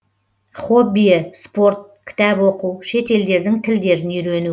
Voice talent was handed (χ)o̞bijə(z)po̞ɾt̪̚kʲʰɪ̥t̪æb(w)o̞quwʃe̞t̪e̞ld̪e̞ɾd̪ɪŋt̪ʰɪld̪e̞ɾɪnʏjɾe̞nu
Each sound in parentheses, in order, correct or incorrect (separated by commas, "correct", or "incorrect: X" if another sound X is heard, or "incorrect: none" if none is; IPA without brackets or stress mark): correct, incorrect: s, correct